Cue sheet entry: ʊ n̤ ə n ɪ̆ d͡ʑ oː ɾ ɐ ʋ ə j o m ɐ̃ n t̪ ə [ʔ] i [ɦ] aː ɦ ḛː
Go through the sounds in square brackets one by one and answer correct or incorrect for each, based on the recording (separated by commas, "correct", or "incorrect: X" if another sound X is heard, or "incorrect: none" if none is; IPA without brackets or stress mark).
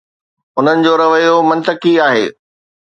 incorrect: k, incorrect: none